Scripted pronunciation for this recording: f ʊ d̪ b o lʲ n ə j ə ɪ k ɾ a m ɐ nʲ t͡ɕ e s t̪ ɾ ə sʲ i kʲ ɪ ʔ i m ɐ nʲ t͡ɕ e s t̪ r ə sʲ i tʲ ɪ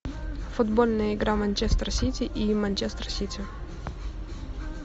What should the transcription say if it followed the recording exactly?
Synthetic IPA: f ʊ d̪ b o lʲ n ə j ə ɪ ɡ ɾ a m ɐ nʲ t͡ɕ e s t̪ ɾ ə sʲ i tʲ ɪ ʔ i m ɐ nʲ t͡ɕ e s t̪ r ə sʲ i tʲ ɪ